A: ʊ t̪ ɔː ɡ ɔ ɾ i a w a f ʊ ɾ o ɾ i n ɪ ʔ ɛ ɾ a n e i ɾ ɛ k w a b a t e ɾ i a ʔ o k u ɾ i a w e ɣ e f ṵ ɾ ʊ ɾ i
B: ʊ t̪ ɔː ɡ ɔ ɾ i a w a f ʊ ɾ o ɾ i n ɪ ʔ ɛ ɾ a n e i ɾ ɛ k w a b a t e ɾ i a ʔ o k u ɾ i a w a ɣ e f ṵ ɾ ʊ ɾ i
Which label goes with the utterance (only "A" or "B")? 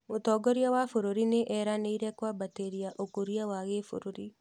B